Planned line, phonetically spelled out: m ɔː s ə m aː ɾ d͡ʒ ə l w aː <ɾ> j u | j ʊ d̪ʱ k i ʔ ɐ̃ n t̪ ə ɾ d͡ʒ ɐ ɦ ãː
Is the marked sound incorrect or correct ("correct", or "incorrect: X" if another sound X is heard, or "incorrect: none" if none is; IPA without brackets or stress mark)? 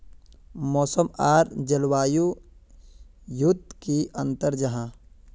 incorrect: none